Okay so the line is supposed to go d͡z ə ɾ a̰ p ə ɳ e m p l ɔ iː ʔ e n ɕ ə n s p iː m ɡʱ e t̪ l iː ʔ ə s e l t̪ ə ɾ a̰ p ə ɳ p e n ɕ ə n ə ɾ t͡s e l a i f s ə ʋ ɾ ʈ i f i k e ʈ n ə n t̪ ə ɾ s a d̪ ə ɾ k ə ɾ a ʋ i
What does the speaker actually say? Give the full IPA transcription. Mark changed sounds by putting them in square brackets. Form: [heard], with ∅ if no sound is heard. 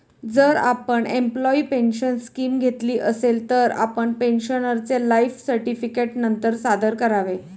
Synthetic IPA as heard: d͡z ə ɾ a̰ p ə ɳ e m p l ɔ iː [p] e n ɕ ə n s [k] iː m ɡʱ e t̪ l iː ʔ ə s e l t̪ ə ɾ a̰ p ə ɳ p e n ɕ ə n ə ɾ t͡s e l a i f s ə [∅] ɾ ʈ i f i k e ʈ n ə n t̪ ə ɾ s a d̪ ə ɾ k ə ɾ a ʋ [e]